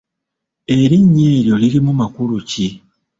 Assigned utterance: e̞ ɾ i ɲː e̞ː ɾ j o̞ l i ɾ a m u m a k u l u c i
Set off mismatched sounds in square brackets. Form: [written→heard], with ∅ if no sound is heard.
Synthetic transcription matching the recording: e̞ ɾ i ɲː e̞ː ɾ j o̞ l i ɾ [a→i] m u m a k u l u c i